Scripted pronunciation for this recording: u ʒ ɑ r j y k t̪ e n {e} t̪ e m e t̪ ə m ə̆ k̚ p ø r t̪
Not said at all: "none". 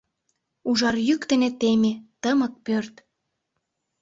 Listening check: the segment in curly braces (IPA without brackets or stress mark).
e